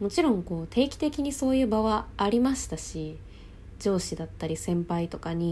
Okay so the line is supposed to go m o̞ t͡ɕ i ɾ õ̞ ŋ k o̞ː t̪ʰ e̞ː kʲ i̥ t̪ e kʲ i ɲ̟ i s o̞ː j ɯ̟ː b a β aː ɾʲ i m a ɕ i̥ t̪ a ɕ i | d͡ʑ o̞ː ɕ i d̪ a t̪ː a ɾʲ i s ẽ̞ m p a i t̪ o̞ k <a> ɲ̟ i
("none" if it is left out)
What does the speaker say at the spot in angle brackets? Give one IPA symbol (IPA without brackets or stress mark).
a